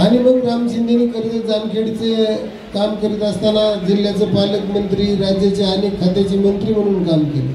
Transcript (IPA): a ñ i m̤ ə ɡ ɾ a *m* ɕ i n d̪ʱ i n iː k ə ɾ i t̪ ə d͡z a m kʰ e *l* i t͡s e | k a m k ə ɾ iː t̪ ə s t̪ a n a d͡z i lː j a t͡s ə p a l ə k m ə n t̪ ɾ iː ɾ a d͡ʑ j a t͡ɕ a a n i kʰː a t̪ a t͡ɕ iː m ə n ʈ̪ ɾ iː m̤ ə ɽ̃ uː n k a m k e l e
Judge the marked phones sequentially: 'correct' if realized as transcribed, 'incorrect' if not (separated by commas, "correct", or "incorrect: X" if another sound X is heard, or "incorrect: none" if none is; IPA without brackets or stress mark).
correct, incorrect: ɽ